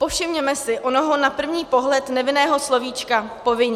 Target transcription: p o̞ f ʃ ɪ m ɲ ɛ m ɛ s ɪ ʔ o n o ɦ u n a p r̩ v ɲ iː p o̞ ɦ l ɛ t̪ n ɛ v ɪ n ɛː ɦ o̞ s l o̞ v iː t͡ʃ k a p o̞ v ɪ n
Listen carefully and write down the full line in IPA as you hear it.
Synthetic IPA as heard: p o̞ f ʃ ɪ m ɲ ɛ m ɛ s ɪ ʔ o n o ɦ o n a p r̩ v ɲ iː p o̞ ɦ l ɛ t̪ n ɛ v ɪ n ɛː ɦ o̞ s l o̞ v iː t͡ʃ k a p o̞ v ɪ ɲ